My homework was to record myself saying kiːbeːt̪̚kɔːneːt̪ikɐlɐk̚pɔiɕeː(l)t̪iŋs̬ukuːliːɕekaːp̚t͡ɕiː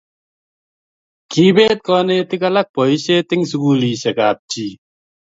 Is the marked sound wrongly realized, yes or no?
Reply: yes